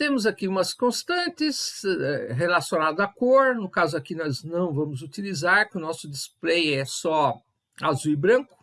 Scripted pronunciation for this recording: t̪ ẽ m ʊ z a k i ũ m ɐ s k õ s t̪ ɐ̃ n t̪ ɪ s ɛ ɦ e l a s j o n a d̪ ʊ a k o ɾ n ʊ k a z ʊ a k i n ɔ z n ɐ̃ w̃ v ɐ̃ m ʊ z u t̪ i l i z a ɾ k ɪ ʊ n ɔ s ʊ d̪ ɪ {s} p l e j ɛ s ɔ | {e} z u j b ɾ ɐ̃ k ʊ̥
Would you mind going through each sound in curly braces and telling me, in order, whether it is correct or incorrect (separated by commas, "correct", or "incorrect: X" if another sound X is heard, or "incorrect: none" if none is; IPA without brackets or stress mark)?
correct, incorrect: a